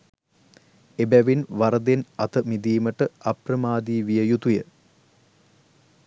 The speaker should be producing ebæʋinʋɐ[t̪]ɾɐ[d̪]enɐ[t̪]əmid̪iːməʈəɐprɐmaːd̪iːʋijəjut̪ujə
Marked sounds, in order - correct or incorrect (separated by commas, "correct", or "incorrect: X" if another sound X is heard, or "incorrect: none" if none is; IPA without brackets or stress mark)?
incorrect: none, correct, correct